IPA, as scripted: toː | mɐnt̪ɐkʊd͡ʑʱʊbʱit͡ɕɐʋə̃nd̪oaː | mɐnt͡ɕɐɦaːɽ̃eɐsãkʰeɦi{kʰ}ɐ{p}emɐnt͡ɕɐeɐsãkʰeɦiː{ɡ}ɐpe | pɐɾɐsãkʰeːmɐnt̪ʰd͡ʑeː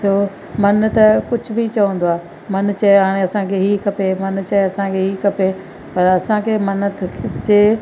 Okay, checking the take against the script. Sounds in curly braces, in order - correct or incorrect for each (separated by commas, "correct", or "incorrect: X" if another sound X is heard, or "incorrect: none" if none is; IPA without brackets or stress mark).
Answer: incorrect: k, correct, incorrect: k